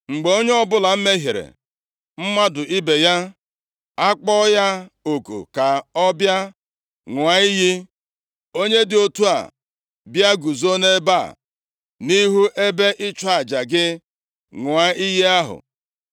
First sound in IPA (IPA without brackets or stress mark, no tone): ŋ͡m̩